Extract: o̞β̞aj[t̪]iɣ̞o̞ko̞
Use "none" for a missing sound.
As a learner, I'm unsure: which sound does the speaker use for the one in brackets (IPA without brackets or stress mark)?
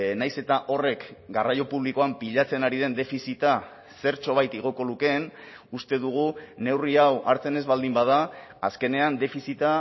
t̪